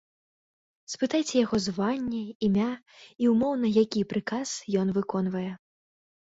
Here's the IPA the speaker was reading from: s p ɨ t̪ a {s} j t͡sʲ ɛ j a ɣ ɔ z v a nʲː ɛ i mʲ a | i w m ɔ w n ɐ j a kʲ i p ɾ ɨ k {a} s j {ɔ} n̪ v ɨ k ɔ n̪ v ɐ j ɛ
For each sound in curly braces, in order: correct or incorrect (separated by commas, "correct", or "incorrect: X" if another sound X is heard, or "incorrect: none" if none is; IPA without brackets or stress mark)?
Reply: incorrect: none, correct, correct